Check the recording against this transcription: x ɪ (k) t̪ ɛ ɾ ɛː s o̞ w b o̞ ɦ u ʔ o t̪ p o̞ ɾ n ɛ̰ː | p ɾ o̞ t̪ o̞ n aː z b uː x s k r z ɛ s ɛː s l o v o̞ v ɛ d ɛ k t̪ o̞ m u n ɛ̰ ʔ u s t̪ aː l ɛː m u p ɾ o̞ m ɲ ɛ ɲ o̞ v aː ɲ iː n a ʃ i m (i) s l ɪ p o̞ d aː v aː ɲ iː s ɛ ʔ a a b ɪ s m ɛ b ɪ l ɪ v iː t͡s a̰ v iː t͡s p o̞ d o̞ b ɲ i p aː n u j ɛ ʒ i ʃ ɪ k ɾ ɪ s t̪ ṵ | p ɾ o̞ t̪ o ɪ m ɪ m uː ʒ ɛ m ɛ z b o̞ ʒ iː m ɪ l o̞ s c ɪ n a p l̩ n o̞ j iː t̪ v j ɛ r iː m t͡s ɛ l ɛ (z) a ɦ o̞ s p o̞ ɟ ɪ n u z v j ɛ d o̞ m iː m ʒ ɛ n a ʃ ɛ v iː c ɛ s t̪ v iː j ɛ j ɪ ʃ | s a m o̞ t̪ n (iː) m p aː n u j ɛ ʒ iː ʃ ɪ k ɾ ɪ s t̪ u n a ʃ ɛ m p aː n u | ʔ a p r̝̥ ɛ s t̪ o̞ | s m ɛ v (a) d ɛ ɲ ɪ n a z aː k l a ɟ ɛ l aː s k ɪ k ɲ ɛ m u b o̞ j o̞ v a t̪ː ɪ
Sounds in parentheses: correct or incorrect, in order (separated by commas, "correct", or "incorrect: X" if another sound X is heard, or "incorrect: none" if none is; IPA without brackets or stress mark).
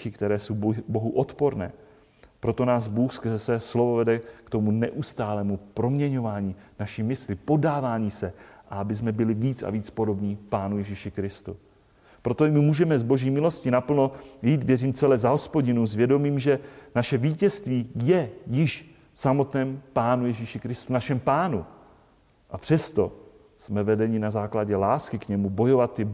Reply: correct, incorrect: ɪ, correct, incorrect: ɛː, incorrect: ɛ